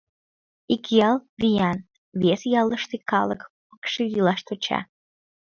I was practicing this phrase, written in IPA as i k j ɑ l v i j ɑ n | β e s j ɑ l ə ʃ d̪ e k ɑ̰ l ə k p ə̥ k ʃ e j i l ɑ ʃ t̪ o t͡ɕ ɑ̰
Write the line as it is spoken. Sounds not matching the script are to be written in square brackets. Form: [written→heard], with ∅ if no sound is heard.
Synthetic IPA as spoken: i k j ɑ l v i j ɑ n | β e s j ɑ l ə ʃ [d̪→t̪] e k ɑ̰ l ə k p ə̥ k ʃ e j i l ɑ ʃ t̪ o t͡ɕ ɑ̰